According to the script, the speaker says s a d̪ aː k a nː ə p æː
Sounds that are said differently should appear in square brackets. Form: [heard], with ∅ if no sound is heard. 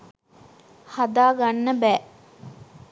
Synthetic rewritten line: [h] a d̪ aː [ɡ] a nː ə [b] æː